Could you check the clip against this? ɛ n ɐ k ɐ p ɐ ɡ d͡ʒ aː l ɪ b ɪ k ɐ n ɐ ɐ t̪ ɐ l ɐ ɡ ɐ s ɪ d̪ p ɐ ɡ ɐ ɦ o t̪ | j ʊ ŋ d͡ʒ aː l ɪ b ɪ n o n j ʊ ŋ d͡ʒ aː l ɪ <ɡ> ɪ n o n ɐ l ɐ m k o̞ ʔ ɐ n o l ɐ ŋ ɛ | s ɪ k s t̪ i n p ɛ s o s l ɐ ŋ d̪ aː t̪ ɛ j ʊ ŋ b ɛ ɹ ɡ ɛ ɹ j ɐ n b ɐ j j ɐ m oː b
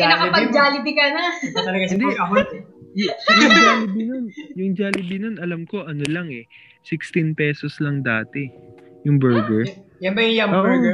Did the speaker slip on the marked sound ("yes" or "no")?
yes